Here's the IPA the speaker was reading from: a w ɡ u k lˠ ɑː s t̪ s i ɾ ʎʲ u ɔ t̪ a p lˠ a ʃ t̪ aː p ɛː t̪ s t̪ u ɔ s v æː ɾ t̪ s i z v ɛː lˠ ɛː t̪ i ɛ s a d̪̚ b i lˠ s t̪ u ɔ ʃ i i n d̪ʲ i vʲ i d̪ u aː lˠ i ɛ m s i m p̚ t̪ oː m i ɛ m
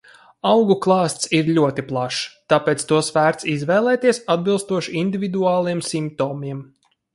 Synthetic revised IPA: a w ɡ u k lˠ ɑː s t̪ s i ɾ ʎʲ u ɔ t̪ i p lˠ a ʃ t̪ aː p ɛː t̪ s t̪ u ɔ s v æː ɾ t̪ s i z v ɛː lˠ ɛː t̪ i ɛ s a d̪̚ b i lˠ s t̪ u ɔ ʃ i i n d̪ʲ i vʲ i d̪ u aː lˠ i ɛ m s i m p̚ t̪ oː m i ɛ m

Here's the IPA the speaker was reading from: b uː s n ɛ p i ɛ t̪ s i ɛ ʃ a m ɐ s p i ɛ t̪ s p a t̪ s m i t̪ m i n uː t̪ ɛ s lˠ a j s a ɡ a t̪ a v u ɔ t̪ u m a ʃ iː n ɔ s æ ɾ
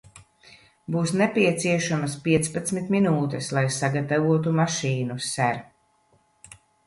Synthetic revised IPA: b uː s n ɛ p i ɛ t̪ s i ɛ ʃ a m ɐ s p i ɛ t̪ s p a t̪ s m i t̪ m i n uː t̪ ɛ s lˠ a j s a ɡ a t̪ a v u ɔ t̪ u m a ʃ iː n u s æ ɾ

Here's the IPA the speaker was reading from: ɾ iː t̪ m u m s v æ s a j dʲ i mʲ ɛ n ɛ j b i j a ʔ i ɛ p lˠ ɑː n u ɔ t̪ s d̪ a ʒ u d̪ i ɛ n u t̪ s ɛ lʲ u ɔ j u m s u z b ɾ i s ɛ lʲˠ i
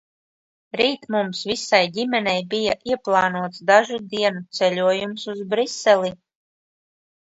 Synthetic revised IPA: ɾ iː t̪ m u m s v i s a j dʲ i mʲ ɛ n ɛ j b i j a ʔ i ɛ p lˠ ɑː n u ɔ t̪ s d̪ a ʒ u d̪ i ɛ n u t̪ s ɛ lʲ u ɔ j u m s u z b ɾ i s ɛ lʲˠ i

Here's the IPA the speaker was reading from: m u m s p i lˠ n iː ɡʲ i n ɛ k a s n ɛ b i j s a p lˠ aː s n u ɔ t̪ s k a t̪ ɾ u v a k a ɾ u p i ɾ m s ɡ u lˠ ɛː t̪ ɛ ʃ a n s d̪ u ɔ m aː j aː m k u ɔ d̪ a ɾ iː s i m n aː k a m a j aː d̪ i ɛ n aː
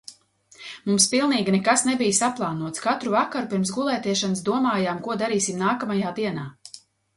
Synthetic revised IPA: m u m s p i lˠ n iː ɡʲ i n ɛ k a s n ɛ b i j s a p lˠ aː n u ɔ t̪ s k a t̪ ɾ u v a k a ɾ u p i ɾ m s ɡ u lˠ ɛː t̪ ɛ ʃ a n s d̪ u ɔ m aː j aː m k u ɔ d̪ a ɾ iː s i m n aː k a m a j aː d̪ i ɛ n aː

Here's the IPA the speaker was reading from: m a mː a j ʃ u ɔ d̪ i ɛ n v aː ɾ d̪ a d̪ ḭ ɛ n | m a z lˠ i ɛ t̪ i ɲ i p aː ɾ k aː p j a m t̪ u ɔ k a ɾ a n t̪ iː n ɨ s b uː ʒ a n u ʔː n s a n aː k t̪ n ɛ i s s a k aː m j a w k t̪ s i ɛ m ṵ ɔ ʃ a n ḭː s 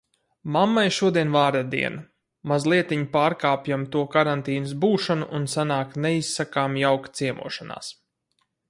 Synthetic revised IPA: m a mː a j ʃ u ɔ d̪ i ɛ n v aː ɾ d̪ a d̪ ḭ ɛ n | m a z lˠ i ɛ t̪ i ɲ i p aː ɾ k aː p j a m t̪ u ɔ k a ɾ a n t̪ iː n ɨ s b uː ʃ a n u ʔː n s a n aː k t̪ n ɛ i s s a k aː m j a w k t̪ s i ɛ m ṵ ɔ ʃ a n a̰ː s

